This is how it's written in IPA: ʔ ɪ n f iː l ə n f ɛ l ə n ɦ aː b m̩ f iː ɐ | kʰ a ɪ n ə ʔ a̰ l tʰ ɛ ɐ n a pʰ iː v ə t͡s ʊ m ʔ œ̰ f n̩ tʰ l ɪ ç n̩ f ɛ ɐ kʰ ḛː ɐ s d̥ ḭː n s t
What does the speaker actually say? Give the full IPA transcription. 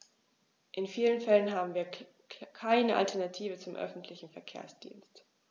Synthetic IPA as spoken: ʔ ɪ n f iː l ə n f ɛ l ə n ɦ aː b m̩ v iː ɐ | kʰ a ɪ n ə ʔ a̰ l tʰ ɛ ɐ n a tʰ iː v ə t͡s ʊ m ʔ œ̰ f n̩ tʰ l ɪ ç n̩ f ɛ ɐ kʰ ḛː ɐ s d̥ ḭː n s t